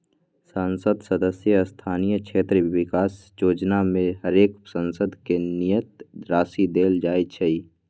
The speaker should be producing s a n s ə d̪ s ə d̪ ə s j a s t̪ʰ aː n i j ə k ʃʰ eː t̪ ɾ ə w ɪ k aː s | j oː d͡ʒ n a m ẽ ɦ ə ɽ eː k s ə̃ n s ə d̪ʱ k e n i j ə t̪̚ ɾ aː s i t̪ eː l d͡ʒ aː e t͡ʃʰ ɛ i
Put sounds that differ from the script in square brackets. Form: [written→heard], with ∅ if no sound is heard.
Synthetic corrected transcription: s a n s ə d̪ s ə d̪ ə s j [a→ə] s t̪ʰ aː n i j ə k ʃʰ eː t̪ ɾ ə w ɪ k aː s | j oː d͡ʒ n a m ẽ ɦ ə [ɽ→ɾ] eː k s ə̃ n s ə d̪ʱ k e n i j ə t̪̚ ɾ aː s i [t̪→d̪] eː l d͡ʒ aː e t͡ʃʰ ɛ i